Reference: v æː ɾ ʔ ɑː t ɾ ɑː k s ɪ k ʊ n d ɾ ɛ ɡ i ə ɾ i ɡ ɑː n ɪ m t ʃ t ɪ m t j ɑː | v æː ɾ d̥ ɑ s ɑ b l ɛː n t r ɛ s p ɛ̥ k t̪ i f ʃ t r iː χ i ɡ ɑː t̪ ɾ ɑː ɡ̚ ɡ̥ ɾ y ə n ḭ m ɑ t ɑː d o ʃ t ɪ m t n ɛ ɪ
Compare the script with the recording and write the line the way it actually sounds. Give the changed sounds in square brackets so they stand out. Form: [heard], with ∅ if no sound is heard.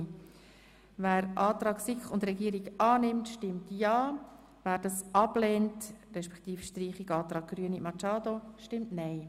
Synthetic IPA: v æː ɾ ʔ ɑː t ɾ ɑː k s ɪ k ʊ n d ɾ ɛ ɡ i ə ɾ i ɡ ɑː n ɪ m t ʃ t ɪ m t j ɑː | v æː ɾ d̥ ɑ s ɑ b l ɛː n t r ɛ [ʃ] p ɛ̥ k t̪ [iː] f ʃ t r iː χ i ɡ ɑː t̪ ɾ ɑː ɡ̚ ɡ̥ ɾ y ə n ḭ m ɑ [t͡ʃ] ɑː d o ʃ t ɪ m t n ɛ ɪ